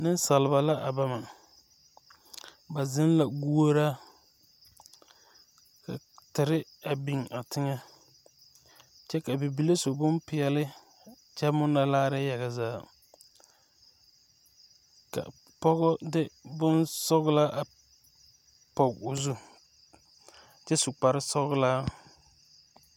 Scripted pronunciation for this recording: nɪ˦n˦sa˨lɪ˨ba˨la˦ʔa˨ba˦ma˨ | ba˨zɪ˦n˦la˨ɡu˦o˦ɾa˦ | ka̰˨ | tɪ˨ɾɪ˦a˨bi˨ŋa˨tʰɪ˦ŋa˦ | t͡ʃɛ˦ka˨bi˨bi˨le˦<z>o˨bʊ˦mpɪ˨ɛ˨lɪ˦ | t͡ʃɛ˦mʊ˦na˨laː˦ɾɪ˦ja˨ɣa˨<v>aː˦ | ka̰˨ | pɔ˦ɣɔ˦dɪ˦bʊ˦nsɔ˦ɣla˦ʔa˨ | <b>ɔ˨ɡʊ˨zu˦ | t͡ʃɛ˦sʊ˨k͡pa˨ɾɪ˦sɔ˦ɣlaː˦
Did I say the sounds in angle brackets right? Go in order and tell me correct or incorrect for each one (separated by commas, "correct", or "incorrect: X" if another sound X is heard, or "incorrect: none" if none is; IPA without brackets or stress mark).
incorrect: s, incorrect: z, incorrect: p